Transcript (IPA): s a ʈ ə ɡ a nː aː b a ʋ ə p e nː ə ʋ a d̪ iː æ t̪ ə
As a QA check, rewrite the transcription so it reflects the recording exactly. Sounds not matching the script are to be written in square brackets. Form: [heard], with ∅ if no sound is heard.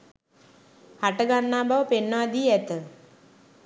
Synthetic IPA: [h] a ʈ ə ɡ a nː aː b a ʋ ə p e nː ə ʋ a d̪ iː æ t̪ ə